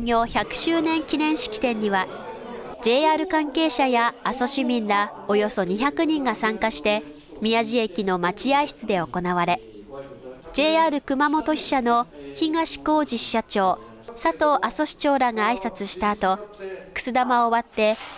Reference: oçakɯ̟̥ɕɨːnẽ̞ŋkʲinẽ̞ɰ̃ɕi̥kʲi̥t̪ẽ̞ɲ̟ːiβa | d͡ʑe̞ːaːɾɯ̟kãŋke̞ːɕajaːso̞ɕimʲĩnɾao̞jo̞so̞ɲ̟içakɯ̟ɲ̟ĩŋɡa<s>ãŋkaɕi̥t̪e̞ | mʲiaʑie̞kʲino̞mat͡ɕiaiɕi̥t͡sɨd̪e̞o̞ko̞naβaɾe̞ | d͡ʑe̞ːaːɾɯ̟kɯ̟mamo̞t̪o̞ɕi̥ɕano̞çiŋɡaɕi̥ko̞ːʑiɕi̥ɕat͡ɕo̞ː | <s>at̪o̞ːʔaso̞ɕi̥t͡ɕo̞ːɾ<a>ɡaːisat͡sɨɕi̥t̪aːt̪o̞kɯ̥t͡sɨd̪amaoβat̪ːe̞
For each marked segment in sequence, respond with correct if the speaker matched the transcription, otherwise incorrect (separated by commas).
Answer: correct, correct, correct